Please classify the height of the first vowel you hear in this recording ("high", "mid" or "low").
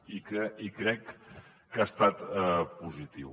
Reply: high